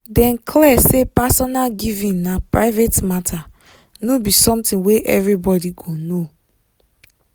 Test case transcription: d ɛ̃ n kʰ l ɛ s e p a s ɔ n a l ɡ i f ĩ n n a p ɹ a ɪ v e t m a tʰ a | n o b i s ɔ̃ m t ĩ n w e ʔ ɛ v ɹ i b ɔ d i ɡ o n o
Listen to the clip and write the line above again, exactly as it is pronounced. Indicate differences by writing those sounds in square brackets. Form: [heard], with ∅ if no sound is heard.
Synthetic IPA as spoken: d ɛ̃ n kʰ l ɛ s e p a s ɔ n a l ɡ i [v] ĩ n n a p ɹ a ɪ v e t m a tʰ a | n o b i s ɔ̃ m t ĩ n w e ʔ ɛ v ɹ i b ɔ d i ɡ o n o